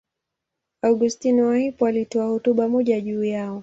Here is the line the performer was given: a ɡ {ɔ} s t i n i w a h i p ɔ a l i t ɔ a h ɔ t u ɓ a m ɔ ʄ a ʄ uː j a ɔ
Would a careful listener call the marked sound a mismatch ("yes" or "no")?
yes